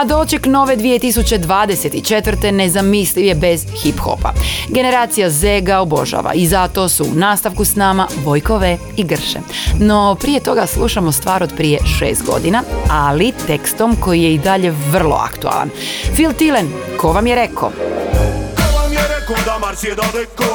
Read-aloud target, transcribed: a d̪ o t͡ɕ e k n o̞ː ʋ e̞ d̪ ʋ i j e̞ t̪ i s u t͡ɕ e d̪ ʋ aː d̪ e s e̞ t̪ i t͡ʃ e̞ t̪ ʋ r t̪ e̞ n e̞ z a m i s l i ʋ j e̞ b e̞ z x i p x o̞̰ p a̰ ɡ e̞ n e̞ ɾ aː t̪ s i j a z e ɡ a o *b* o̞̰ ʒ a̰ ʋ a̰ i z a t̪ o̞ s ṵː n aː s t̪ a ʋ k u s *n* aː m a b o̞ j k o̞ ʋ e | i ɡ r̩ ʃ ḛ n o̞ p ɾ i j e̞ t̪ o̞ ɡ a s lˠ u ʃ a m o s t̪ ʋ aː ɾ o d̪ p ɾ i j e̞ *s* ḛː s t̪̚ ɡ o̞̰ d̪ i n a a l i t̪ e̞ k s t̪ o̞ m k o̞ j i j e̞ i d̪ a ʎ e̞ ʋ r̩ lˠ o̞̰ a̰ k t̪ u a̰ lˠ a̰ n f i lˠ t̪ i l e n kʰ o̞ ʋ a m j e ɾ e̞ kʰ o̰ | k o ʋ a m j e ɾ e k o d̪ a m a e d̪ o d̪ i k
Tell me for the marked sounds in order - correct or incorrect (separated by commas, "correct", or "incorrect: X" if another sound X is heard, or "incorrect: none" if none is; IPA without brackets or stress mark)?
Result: correct, correct, incorrect: ʃ